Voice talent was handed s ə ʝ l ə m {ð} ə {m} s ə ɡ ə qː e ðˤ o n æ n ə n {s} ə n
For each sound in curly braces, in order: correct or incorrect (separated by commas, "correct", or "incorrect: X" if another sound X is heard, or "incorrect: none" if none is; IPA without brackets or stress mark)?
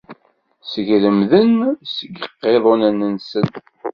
correct, incorrect: n, correct